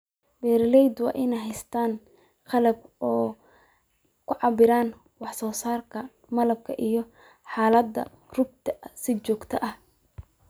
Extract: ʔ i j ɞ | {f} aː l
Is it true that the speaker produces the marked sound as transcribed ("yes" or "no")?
no